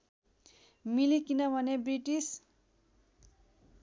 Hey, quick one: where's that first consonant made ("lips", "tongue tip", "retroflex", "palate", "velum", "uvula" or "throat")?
lips